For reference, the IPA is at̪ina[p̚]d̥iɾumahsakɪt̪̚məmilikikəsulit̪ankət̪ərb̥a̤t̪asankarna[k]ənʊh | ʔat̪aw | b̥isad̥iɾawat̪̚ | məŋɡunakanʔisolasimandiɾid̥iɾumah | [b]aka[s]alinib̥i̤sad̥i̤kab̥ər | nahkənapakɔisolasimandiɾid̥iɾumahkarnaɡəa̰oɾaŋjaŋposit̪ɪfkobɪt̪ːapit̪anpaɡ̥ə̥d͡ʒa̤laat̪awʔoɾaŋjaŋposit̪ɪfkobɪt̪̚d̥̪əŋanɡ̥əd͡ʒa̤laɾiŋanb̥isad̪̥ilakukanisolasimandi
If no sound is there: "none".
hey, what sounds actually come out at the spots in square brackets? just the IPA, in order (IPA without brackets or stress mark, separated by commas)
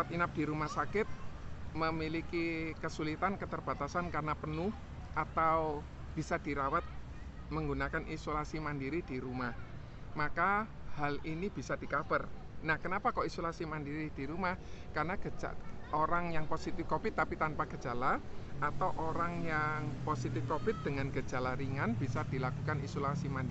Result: p̚, p, m, h